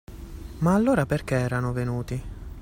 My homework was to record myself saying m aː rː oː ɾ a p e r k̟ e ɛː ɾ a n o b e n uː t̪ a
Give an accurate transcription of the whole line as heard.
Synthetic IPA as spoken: m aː lː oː ɾ a p e r k̟ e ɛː ɾ a n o v e n uː t̪ i